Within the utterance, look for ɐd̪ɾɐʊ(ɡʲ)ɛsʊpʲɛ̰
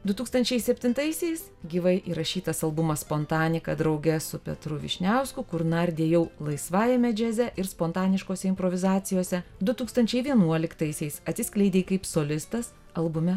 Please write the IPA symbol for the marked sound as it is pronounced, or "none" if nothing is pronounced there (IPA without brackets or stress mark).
ɡʲ